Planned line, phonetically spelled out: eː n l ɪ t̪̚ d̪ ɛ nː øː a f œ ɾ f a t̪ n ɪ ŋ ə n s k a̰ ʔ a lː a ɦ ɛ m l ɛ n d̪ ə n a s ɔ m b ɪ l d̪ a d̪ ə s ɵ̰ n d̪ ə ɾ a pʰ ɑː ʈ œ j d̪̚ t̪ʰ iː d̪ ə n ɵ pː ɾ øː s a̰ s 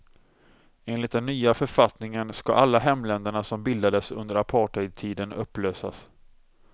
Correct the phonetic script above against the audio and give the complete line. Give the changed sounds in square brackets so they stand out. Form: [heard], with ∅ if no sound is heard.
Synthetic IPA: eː n l ɪ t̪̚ d̪ ɛ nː [yː] a f œ ɾ f a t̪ n ɪ ŋ ə n s k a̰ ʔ a lː a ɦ ɛ m l ɛ n d̪ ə [ɳ] a s ɔ m b ɪ l d̪ a d̪ ə s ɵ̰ n d̪ ə ɾ a pʰ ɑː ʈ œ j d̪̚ t̪ʰ iː d̪ ə n ɵ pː [l] øː s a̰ s